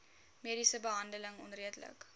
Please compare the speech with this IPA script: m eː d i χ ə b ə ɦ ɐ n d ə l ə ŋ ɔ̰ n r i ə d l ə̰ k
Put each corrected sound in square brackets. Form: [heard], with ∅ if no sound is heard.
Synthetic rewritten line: m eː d i [s] ə b ə ɦ ɐ n d ə l ə ŋ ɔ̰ n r i ə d l ə̰ k